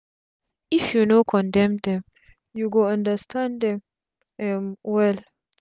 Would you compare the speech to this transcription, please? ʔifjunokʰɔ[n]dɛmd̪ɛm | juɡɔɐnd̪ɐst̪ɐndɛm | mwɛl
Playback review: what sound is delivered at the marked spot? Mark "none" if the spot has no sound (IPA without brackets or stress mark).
n